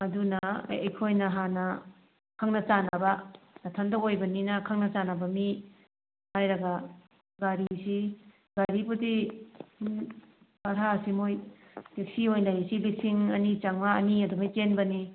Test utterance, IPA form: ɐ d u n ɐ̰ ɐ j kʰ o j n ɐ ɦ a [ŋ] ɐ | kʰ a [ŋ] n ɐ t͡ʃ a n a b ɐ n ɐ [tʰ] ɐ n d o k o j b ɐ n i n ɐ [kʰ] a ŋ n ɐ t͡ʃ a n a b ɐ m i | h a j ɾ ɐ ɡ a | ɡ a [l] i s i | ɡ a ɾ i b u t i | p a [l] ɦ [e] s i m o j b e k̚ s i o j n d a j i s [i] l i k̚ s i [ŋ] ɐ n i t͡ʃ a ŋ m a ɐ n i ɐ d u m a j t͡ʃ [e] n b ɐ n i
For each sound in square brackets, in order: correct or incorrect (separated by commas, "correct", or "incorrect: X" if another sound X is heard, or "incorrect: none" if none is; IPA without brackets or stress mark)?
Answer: incorrect: n, correct, correct, correct, incorrect: ɾ, incorrect: ɾ, incorrect: a, correct, correct, correct